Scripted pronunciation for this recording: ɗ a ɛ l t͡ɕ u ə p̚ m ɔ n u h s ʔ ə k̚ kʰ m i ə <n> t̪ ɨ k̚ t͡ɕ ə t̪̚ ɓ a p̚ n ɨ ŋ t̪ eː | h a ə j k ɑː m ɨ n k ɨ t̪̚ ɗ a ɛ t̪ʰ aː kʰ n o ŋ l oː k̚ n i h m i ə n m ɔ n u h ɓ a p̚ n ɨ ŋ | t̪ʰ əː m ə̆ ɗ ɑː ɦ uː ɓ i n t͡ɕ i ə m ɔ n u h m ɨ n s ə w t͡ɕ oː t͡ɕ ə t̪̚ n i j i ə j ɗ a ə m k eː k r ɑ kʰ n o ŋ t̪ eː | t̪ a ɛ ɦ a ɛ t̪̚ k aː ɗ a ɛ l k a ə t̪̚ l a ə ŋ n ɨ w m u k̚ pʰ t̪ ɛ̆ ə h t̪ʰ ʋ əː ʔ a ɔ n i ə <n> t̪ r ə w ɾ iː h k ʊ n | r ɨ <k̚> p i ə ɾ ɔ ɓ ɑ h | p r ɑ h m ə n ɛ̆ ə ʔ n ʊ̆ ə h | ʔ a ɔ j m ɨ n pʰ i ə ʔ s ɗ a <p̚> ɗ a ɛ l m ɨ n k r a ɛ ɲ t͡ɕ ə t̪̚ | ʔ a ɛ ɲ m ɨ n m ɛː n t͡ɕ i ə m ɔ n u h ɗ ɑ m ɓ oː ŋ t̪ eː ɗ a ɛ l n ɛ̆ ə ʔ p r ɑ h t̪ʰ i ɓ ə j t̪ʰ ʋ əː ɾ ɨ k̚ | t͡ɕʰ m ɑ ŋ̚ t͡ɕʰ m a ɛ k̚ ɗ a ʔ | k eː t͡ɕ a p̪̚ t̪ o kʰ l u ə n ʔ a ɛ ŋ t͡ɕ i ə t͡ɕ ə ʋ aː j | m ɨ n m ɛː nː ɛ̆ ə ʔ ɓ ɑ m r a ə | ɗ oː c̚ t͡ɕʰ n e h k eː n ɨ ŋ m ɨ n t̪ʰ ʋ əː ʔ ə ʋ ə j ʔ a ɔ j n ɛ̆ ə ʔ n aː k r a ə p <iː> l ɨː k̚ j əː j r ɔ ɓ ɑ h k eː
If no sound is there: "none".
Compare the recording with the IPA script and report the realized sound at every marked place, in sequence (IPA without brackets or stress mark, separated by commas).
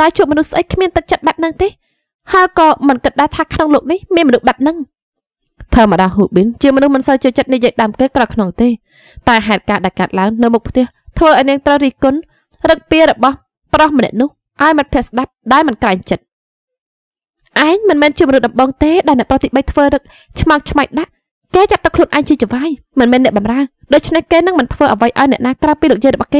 n, ŋ, k̚, p̚, iː